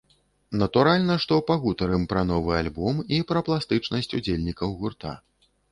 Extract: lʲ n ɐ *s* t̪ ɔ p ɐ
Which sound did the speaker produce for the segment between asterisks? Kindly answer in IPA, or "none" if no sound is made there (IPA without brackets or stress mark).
ʂ